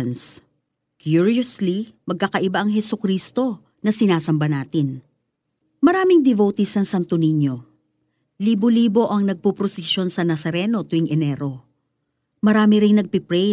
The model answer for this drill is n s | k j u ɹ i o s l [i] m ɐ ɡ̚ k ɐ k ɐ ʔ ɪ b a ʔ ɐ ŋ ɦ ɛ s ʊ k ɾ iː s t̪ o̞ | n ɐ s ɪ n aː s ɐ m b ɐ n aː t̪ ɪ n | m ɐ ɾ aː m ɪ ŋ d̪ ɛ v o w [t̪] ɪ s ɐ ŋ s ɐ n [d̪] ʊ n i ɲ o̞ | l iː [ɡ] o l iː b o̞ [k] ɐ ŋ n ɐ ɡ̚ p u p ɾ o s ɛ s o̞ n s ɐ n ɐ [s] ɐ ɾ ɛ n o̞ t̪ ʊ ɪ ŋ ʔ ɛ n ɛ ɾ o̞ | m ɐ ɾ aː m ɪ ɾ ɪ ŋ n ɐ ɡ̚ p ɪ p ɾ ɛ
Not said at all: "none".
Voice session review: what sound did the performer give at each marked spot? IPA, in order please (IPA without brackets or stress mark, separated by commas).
i, t̪, t̪, b, ʔ, s